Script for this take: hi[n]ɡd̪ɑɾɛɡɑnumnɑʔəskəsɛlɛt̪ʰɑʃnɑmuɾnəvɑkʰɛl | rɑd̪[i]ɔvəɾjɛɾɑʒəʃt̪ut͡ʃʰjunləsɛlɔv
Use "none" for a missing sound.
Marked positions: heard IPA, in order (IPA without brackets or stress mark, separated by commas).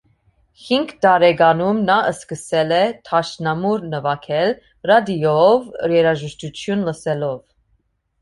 ŋ, i